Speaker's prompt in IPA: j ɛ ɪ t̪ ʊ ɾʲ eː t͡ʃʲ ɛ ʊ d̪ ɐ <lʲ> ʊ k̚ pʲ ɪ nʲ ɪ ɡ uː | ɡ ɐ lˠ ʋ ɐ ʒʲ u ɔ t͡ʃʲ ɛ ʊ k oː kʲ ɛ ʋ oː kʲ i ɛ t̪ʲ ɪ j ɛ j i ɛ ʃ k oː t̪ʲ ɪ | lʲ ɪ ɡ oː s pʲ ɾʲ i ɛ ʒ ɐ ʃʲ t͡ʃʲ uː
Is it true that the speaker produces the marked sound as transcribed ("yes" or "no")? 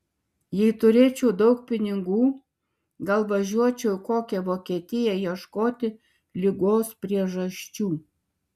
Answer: no